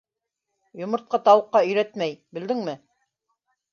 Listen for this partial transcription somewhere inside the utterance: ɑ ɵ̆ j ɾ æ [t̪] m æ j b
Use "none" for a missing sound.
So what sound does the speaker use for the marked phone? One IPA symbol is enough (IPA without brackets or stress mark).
t̪